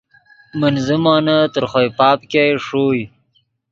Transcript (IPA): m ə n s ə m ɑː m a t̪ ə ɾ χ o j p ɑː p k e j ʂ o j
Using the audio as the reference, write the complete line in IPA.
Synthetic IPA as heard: m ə n z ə m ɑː n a t̪ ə ɾ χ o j p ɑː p k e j ʂ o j